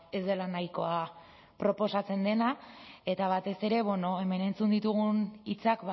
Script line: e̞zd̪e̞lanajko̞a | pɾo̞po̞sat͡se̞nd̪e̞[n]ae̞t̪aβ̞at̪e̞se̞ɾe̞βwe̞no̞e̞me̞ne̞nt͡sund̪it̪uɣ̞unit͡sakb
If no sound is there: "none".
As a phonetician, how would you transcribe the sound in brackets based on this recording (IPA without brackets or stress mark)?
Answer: n